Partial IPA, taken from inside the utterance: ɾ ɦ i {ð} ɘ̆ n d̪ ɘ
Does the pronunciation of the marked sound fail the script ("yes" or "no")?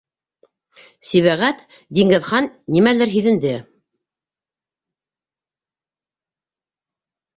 no